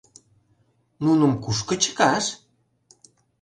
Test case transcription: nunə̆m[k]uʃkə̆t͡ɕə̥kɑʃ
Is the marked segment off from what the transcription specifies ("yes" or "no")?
no